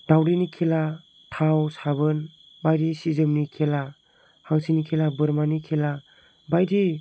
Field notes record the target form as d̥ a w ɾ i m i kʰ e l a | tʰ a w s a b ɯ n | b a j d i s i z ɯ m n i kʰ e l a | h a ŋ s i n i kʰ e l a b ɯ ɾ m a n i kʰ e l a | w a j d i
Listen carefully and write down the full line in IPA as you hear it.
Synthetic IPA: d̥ a w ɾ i n i kʰ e l a | tʰ a w s a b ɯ n | b a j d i s i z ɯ m n i kʰ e l a | h a ŋ s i n i kʰ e l a b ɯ ɾ m a n i kʰ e l a | b a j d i